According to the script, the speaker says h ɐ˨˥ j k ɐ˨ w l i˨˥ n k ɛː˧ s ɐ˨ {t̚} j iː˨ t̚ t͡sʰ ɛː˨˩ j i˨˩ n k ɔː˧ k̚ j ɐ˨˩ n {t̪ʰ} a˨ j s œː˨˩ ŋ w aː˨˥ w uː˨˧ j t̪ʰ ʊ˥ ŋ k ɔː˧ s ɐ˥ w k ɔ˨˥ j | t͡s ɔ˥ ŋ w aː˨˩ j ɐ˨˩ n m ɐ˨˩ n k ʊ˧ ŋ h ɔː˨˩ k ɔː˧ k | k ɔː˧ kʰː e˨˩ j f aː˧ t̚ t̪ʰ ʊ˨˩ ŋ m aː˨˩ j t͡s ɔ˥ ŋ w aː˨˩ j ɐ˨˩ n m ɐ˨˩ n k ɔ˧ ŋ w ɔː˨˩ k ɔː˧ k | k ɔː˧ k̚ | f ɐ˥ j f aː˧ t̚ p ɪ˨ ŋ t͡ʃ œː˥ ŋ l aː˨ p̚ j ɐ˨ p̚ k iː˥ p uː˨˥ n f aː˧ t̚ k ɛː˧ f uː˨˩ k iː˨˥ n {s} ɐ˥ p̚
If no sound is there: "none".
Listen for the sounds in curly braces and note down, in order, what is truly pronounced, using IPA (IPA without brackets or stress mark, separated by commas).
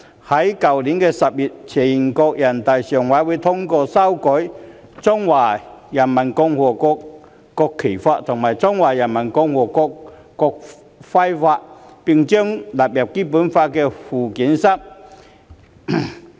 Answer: p̚, t̪, s